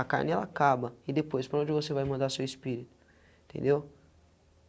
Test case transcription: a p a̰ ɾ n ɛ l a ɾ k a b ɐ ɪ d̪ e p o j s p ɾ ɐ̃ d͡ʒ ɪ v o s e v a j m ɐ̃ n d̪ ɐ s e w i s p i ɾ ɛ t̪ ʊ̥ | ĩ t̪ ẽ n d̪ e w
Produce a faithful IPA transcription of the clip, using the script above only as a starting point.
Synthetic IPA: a k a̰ ɾ n ɛ l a k a b ɐ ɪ d̪ e p o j s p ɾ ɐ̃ d͡ʒ ɪ v o s e v a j m ɐ̃ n d̪ a s e w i s p i ɾ i t̪ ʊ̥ | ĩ t̪ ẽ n d̪ e w